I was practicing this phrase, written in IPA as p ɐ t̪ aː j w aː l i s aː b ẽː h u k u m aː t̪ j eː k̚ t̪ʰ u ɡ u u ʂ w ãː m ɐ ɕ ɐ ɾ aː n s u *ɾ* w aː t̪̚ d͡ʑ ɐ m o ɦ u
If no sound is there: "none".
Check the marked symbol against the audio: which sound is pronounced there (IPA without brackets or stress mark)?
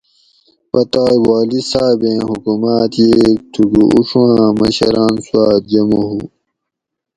none